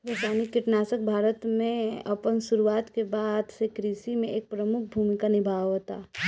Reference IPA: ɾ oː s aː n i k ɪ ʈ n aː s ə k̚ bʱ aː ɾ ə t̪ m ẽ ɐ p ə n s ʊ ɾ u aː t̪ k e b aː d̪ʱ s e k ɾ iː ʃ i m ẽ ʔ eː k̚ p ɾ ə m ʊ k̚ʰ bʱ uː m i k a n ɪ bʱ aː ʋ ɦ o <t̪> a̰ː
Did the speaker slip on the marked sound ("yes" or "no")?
no